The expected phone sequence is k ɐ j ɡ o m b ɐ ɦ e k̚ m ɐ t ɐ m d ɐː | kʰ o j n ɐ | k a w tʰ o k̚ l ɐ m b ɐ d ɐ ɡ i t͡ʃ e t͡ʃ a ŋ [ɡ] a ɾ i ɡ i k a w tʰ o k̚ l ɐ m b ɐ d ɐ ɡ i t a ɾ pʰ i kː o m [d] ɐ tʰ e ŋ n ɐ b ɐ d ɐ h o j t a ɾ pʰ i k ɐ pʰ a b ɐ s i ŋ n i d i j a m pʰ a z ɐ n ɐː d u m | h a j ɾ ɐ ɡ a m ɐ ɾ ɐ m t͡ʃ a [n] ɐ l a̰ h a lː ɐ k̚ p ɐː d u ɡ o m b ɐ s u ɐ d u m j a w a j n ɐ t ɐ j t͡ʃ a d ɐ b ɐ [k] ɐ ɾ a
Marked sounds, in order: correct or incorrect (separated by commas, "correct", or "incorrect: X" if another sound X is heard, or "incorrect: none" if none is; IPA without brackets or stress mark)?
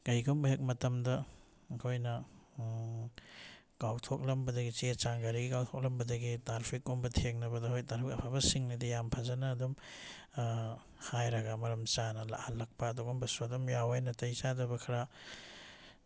correct, incorrect: b, correct, incorrect: kʰ